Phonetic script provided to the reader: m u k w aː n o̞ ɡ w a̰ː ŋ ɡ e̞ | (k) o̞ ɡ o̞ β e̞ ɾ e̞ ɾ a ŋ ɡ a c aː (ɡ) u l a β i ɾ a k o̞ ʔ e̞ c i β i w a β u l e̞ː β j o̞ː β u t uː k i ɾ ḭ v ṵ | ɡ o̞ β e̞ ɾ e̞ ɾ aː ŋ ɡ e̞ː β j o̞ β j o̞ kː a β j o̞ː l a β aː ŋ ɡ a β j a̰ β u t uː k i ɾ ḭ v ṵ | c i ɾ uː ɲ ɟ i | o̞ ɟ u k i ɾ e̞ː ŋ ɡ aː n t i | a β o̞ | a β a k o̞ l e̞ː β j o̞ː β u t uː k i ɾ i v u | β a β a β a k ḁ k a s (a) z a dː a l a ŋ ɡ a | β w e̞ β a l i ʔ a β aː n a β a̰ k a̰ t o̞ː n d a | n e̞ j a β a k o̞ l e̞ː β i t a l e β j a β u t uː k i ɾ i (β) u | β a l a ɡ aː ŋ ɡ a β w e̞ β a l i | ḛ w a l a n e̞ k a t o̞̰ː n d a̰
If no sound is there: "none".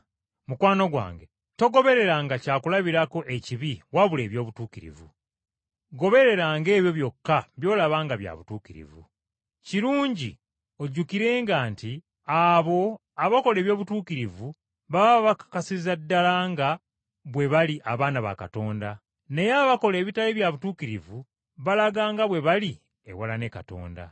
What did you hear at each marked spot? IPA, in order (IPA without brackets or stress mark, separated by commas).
t, k, i, v